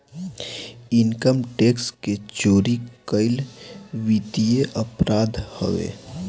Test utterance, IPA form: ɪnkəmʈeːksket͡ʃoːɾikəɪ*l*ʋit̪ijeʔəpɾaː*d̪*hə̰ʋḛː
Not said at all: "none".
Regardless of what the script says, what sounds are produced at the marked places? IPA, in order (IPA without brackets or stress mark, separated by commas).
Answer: l, d̪